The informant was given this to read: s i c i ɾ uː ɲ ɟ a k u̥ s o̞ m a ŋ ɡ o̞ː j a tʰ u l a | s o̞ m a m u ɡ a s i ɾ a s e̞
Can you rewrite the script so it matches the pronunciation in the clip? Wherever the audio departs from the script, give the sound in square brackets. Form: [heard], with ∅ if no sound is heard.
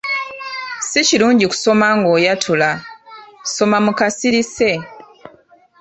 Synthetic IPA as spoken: s i c i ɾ uː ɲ ɟ [i] k u̥ s o̞ m a ŋ ɡ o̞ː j a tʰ u l a | s o̞ m a m u [k] a s i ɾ [i] s e̞